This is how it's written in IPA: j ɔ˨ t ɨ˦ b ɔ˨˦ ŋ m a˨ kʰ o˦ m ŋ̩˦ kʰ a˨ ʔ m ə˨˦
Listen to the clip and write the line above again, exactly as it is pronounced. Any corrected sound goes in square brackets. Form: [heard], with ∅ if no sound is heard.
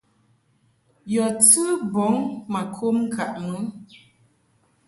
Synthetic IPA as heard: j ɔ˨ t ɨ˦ b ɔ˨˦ ŋ m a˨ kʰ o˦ m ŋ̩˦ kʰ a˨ ʔ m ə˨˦